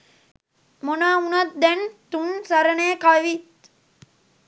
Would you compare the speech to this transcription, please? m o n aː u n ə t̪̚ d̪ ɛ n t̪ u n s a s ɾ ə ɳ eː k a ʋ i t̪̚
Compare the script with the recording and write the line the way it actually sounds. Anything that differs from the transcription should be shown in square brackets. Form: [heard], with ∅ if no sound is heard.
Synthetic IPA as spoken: m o n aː u n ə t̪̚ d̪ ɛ n t̪ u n s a [∅] ɾ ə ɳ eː k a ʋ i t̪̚